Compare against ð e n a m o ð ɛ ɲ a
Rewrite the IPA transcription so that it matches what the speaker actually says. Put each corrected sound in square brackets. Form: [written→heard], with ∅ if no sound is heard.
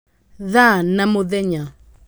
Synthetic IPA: ð [e→a] n a m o ð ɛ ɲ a